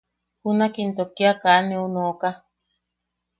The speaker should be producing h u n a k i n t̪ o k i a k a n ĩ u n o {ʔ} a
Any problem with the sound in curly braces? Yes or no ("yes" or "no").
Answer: yes